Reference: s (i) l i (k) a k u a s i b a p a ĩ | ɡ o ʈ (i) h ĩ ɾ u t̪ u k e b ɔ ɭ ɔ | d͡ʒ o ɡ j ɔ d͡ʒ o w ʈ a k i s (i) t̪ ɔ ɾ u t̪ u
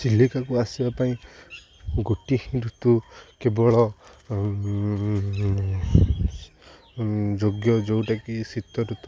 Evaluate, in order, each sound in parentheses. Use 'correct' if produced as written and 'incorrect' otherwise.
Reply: correct, correct, correct, correct

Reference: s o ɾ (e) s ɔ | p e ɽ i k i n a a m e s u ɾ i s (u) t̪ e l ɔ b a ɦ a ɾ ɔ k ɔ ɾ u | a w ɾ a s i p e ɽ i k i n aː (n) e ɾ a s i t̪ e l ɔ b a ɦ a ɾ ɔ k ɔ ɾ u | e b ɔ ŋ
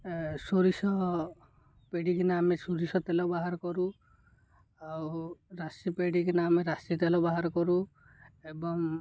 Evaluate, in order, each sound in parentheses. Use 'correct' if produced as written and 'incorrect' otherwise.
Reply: incorrect: i, incorrect: ɔ, incorrect: m

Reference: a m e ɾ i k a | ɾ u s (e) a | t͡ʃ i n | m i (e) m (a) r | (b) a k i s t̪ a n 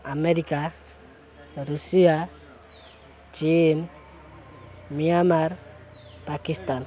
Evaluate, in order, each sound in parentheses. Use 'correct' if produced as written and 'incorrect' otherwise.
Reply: incorrect: i, incorrect: a, correct, incorrect: p

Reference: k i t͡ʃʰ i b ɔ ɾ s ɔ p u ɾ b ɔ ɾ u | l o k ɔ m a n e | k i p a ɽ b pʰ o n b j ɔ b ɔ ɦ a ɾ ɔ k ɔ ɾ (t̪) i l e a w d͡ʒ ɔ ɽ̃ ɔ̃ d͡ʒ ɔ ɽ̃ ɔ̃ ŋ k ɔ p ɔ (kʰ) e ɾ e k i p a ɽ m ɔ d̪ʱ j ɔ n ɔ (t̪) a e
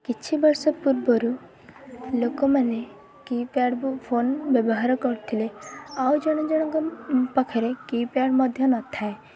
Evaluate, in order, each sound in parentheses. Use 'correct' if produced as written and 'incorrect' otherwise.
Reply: incorrect: t̪ʰ, correct, incorrect: t̪ʰ

